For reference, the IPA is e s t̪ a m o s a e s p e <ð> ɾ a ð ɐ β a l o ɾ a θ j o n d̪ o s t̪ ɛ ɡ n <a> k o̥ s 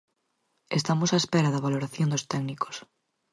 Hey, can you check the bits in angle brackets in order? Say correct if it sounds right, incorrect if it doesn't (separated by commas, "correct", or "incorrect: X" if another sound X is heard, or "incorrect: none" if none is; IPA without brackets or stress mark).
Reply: incorrect: none, incorrect: i